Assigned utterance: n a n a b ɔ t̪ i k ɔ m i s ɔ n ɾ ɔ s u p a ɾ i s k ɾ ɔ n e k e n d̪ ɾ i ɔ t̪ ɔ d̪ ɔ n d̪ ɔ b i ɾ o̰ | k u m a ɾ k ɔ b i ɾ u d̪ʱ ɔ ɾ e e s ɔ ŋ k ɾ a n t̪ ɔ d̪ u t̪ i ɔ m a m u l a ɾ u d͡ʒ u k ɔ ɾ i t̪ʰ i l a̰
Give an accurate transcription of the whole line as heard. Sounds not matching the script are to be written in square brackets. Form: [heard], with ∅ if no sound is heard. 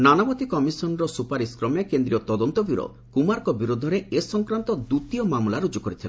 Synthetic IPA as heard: n a n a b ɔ t̪ i k ɔ m i s ɔ n ɾ ɔ s u p a ɾ i s k ɾ ɔ [m] e k e n d̪ ɾ i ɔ t̪ ɔ d̪ ɔ n [t̪] ɔ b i ɾ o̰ | k u m a ɾ k ɔ b i ɾ u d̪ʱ ɔ ɾ e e s ɔ ŋ k ɾ a n t̪ ɔ d̪ u t̪ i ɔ m a m u l a ɾ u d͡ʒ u k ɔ ɾ i t̪ʰ i l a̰

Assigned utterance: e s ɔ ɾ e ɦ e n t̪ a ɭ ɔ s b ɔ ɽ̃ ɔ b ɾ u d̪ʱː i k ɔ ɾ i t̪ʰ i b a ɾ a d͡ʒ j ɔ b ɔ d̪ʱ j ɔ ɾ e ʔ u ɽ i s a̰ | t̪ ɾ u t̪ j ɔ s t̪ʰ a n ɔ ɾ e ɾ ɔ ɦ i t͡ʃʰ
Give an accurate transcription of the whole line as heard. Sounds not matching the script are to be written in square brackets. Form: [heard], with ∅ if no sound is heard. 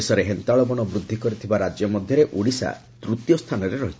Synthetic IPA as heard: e s ɔ ɾ e ɦ e n t̪ a ɭ ɔ [∅] b ɔ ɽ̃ ɔ b ɾ u d̪ʱː i k ɔ ɾ i t̪ʰ i b a ɾ a d͡ʒ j ɔ [m] ɔ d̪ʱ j ɔ ɾ e ʔ u ɽ i s a̰ | t̪ ɾ u t̪ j ɔ s t̪ʰ a n ɔ ɾ e ɾ ɔ ɦ i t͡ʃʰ

